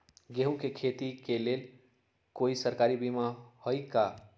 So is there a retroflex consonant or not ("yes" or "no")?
no